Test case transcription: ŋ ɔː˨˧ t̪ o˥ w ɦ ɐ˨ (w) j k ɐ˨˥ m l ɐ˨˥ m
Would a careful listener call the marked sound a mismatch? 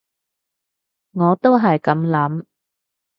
yes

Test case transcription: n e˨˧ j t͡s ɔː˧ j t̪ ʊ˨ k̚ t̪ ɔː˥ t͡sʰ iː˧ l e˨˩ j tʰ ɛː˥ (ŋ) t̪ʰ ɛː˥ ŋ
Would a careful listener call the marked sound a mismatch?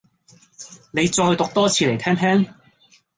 no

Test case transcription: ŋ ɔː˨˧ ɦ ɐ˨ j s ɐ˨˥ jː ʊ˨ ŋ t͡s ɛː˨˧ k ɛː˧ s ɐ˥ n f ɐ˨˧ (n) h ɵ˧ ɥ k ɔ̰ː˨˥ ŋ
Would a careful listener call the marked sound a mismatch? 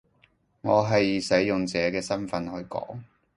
no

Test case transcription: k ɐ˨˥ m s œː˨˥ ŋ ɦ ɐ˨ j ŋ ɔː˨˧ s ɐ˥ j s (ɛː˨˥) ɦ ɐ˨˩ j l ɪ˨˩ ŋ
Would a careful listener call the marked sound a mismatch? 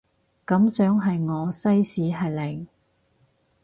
yes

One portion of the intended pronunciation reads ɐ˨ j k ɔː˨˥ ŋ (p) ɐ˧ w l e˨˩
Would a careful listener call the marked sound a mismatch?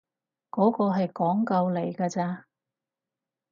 yes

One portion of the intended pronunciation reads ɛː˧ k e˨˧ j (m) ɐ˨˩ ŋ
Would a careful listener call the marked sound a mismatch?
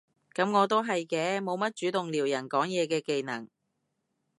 yes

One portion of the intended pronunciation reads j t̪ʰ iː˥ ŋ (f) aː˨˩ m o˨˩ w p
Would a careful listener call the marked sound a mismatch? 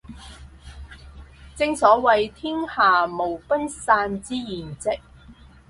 yes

